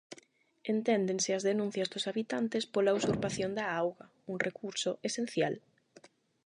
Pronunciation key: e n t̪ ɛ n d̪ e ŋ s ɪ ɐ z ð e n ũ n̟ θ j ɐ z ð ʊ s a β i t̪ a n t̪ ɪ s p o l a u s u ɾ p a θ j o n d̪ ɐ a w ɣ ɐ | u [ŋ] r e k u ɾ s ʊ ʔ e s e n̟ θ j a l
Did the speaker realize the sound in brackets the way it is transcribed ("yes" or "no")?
yes